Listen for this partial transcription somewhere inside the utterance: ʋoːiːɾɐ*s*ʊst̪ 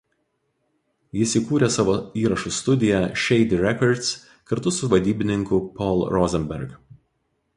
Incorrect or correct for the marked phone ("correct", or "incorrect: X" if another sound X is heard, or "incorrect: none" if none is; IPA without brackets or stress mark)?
incorrect: ʃ